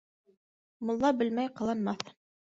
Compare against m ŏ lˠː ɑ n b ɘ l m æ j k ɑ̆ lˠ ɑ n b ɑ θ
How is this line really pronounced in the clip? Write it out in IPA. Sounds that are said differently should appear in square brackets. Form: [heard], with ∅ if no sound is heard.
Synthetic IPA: m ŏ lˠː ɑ [∅] b ɘ l m æ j [q] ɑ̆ lˠ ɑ n [m] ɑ θ